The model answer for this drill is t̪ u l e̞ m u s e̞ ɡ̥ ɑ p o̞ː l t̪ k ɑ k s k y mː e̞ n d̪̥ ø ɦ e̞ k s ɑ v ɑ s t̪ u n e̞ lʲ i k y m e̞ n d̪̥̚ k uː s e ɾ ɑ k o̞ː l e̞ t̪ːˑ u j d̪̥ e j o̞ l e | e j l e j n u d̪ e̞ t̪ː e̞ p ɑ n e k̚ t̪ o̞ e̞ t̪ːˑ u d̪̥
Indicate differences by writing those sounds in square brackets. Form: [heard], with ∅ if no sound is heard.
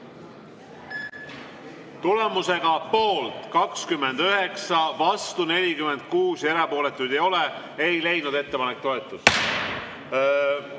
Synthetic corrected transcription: t̪ u l e̞ m u s e̞ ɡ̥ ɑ p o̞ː l t̪ k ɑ k s k y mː e̞ n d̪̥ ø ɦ e̞ k s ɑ v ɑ s t̪ u n e̞ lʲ i k y m e̞ n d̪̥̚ k uː s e ɾ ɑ [p] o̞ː l e̞ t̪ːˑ u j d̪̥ e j o̞ l e | e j l e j n u d̪ e̞ t̪ː e̞ p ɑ n e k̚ t̪ o̞ e̞ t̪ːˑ u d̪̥

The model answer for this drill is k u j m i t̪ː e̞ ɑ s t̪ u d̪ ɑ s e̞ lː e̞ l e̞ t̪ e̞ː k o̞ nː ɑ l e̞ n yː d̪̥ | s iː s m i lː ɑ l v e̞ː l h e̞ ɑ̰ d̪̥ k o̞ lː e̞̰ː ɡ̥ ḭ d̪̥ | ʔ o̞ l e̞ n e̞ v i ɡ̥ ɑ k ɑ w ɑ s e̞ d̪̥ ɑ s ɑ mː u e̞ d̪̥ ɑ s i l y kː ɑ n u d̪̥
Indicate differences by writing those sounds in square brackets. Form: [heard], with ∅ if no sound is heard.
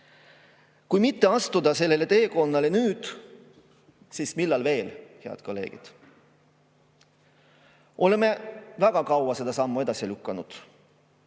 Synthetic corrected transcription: k u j m i t̪ː e̞ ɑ s t̪ u d̪ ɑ s e̞ lː e̞ l e̞ t̪ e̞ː k o̞ nː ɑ l e̞ n yː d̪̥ | s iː s m i lː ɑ l v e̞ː l h e̞ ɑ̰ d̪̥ k o̞ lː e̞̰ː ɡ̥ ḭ d̪̥ | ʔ o̞ l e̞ [m] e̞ v [æ] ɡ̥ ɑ k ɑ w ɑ s e̞ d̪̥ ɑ s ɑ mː u e̞ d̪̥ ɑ s i l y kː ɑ n u d̪̥

